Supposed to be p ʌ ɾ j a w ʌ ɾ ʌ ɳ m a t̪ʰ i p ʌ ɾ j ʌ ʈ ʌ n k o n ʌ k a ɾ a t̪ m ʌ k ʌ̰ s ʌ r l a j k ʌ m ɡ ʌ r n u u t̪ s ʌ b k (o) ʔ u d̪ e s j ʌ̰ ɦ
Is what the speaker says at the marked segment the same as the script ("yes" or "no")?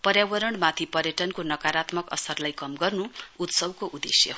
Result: yes